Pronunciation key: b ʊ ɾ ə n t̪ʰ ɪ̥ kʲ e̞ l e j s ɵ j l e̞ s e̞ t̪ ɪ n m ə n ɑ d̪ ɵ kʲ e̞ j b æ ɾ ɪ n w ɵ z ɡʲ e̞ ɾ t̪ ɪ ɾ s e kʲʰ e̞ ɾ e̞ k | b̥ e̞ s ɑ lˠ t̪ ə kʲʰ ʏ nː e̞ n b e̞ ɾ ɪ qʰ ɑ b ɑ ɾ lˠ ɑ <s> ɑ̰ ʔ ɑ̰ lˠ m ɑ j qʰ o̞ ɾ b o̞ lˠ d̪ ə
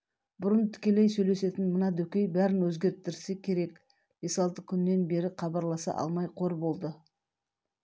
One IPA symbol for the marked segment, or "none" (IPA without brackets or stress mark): s